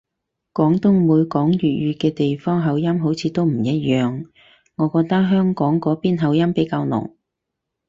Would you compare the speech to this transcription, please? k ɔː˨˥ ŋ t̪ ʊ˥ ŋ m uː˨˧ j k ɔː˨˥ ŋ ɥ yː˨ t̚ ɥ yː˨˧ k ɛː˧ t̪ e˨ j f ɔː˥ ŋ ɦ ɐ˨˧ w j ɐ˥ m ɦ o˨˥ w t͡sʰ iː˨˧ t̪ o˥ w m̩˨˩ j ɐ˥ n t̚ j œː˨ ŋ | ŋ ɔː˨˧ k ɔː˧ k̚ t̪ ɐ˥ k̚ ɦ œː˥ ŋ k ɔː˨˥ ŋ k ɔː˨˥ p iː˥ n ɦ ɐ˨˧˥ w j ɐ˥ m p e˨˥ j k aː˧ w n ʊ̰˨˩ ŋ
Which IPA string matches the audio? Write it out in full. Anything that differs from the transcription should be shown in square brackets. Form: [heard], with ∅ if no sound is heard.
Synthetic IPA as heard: k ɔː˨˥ ŋ t̪ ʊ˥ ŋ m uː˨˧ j k ɔː˨˥ ŋ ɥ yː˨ t̚ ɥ yː˨˧ k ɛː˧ t̪ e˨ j f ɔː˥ ŋ ɦ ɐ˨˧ w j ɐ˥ m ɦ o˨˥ w t͡sʰ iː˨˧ t̪ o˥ w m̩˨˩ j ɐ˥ [∅] t̚ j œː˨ ŋ | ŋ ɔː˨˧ k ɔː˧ k̚ t̪ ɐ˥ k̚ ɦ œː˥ ŋ k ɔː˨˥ ŋ k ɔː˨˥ p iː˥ n ɦ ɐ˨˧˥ w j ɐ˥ m p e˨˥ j k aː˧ w n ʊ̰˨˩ ŋ